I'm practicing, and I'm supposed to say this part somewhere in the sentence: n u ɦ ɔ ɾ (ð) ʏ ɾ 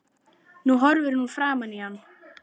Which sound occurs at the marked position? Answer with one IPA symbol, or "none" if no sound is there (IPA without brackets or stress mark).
v